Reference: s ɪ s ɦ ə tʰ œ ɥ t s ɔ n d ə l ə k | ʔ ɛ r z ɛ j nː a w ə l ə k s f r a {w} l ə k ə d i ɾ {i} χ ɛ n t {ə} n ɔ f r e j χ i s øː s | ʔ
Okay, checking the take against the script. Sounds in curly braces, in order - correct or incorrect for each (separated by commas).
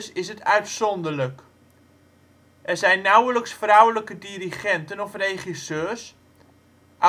correct, correct, correct